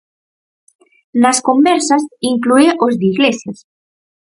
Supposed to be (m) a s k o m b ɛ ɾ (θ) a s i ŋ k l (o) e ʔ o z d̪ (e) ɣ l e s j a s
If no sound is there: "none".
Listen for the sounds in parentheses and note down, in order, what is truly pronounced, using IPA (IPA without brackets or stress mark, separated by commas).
n, s, u, i